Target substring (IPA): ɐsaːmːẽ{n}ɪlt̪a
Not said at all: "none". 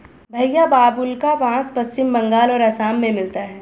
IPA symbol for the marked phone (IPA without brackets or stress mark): m